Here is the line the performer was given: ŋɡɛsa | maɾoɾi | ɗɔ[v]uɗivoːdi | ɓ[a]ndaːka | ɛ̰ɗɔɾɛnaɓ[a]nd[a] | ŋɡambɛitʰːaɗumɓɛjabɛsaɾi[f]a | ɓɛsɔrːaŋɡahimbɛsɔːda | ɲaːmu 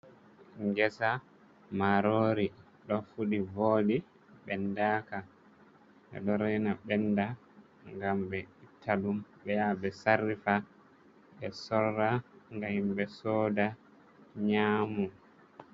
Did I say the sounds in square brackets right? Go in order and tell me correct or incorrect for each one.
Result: incorrect, incorrect, incorrect, correct, correct

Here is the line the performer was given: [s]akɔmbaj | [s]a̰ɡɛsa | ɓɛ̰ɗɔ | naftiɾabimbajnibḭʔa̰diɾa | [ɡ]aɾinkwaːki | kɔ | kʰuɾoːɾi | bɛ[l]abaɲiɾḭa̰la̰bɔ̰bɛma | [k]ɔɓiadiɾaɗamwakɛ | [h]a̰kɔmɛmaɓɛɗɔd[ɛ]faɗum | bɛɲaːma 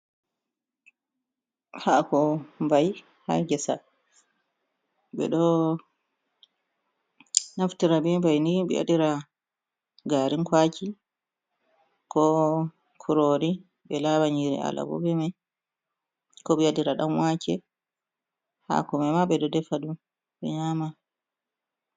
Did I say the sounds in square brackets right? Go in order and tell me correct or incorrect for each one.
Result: incorrect, incorrect, correct, correct, correct, correct, correct

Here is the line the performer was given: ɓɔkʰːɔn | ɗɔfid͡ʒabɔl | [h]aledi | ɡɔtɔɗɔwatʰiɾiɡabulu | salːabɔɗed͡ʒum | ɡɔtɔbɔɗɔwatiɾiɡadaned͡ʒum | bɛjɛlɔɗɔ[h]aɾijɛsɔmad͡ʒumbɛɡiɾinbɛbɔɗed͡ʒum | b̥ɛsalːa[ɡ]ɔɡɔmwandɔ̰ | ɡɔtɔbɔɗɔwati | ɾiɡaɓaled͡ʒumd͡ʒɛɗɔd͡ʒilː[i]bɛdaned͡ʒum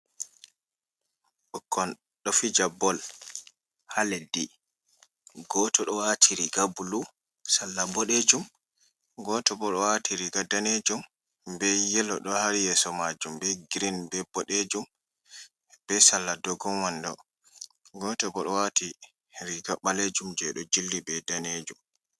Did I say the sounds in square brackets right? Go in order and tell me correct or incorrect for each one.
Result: correct, correct, incorrect, correct

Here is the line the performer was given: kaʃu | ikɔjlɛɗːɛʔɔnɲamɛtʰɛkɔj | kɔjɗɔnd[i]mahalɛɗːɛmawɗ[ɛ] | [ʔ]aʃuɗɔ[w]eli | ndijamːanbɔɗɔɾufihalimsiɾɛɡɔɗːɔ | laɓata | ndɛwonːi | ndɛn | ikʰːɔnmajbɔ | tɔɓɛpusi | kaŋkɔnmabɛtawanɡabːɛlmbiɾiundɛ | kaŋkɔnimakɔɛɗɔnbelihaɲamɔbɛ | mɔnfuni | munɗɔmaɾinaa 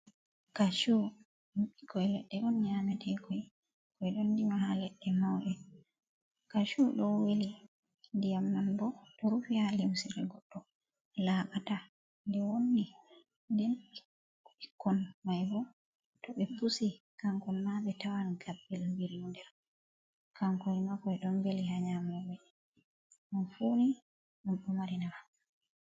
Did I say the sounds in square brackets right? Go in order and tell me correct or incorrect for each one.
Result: correct, correct, incorrect, correct

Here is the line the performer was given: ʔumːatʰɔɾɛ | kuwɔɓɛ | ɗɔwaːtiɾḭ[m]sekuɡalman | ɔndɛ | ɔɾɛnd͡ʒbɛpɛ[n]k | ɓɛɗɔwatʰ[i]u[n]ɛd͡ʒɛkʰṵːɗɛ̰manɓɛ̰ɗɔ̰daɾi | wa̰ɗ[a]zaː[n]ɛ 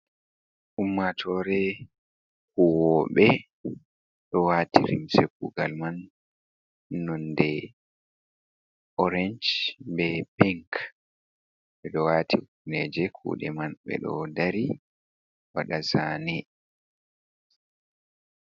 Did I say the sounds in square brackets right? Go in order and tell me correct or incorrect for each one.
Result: correct, incorrect, correct, correct, correct, correct

